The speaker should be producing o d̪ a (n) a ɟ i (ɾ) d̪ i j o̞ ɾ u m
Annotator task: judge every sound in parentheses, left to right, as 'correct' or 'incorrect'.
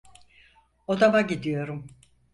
incorrect: m, incorrect: none

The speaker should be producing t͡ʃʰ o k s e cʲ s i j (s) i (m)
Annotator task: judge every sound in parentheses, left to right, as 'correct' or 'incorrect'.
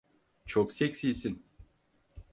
correct, incorrect: n

